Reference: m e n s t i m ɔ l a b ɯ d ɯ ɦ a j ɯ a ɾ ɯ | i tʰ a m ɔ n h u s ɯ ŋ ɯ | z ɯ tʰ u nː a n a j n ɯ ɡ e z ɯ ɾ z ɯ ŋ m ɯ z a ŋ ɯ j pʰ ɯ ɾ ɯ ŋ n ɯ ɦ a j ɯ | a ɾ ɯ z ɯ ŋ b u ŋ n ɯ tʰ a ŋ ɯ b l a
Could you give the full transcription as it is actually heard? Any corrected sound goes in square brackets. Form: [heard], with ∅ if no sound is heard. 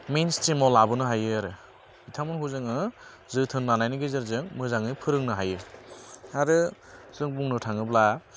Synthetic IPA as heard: m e n s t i m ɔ l a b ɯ [n] ɯ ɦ a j ɯ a ɾ ɯ | i tʰ a m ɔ n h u [z] ɯ ŋ ɯ | z ɯ tʰ [ɯ] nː a n a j n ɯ ɡ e z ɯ ɾ z ɯ ŋ m ɯ z a ŋ ɯ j pʰ ɯ ɾ ɯ ŋ n ɯ ɦ a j ɯ | a ɾ ɯ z ɯ ŋ b u ŋ n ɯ tʰ a ŋ ɯ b l a

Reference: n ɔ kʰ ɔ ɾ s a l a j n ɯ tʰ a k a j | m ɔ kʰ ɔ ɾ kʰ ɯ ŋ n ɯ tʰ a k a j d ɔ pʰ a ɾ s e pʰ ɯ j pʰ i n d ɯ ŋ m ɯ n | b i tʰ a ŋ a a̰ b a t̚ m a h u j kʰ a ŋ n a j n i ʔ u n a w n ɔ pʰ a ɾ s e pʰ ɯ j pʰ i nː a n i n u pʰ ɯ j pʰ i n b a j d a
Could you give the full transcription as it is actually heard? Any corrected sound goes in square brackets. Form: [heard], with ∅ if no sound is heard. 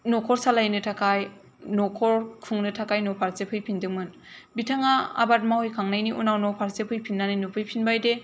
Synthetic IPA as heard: n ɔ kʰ ɔ ɾ s a l a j n ɯ tʰ a k a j | [n] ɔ kʰ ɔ ɾ kʰ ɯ ŋ n ɯ tʰ a k a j [n] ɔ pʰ a ɾ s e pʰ ɯ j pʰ i n d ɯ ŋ m ɯ n | b i tʰ a ŋ a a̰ b a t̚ m a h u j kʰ a ŋ n a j n i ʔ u n a w n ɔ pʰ a ɾ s e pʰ ɯ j pʰ i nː a n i n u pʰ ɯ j pʰ i n b a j d [e]

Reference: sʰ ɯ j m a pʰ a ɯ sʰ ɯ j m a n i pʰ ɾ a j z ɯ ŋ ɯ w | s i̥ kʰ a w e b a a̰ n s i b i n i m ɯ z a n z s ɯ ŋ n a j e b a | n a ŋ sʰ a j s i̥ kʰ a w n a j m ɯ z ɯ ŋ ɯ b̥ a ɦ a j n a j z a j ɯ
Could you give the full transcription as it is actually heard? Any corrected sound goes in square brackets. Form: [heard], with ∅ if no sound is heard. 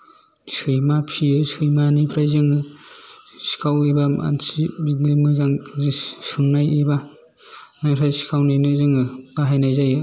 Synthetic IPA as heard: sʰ ɯ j m a pʰ [i] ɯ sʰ ɯ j m a n i pʰ ɾ a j z ɯ ŋ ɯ [∅] | s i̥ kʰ a w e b a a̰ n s i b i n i m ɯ z a [ŋ] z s ɯ ŋ n a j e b a | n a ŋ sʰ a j s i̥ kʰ a w n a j [n] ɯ z ɯ ŋ ɯ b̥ a ɦ a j n a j z a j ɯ

